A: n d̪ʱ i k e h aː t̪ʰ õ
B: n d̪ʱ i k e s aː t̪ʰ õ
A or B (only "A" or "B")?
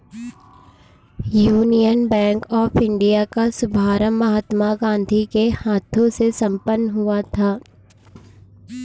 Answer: A